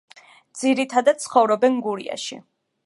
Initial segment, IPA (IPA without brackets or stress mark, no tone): d̪